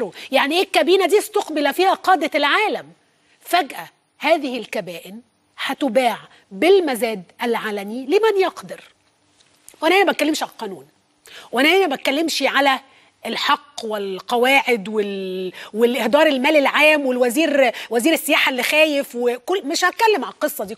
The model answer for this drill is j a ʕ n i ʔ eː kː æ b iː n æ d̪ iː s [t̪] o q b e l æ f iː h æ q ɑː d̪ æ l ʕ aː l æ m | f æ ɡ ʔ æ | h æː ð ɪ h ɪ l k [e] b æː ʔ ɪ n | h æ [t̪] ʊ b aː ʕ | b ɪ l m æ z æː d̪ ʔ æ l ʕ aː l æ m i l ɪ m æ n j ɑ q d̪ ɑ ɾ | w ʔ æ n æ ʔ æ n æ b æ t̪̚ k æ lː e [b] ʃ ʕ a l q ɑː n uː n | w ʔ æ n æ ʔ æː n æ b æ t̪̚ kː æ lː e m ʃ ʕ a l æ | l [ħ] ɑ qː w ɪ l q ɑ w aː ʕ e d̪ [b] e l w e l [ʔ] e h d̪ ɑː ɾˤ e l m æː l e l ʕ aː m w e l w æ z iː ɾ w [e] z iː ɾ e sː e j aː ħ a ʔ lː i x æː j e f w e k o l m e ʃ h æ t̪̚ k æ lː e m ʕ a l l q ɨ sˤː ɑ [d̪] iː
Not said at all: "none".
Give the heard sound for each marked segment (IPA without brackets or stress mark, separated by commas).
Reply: t̪, æ, t̪, m, ħ, w, ʔ, æ, d̪